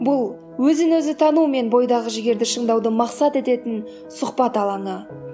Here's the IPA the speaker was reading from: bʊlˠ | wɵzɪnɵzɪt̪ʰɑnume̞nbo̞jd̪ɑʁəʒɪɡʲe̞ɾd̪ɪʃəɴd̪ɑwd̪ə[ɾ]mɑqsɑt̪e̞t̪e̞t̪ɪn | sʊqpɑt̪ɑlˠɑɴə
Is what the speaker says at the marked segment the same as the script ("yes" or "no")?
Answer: no